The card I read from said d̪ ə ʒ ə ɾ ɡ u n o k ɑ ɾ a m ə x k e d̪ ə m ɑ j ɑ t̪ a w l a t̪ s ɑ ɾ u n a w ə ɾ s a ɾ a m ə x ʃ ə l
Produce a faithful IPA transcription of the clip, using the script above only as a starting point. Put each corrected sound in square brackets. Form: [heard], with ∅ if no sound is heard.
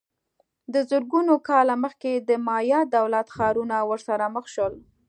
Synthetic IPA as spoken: d̪ ə [z] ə ɾ ɡ u n o k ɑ [l] a m ə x k e d̪ ə m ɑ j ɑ [d̪] a w l a t̪ [x] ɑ ɾ u n a w ə ɾ s a ɾ a m ə x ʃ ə l